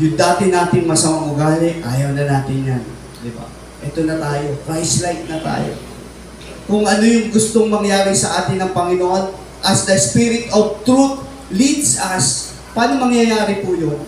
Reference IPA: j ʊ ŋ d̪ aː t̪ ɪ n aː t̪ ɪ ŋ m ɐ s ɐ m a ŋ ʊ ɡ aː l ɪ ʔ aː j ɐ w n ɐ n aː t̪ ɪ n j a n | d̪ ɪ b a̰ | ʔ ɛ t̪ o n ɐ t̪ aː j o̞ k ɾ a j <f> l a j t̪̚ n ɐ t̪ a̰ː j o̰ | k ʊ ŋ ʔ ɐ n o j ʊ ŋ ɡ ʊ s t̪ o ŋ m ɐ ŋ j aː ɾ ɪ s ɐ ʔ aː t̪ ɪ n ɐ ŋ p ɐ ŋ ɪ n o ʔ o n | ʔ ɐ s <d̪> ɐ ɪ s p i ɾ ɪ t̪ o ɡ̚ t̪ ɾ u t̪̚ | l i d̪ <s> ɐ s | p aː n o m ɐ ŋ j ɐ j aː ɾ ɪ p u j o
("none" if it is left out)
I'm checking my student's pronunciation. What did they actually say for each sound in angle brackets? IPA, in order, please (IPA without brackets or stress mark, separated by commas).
s, d̪, s